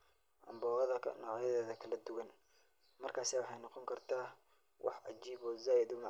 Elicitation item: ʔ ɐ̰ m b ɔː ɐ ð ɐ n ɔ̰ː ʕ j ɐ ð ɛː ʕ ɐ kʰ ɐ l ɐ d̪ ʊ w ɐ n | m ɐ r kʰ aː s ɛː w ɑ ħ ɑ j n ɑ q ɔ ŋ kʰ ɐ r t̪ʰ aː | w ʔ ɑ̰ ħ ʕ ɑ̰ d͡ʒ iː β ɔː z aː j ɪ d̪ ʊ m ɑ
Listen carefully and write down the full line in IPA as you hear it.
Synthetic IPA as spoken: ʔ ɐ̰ m b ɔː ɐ ð ɐ n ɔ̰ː ʕ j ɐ ð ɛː ð ɐ kʰ ɐ l ɐ d̪ ʊ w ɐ n | m ɐ r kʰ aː s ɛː w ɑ ħ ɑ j n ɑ q ɔ ŋ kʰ ɐ r t̪ʰ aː | w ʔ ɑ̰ ħ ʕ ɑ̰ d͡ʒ iː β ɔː z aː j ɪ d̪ ʊ m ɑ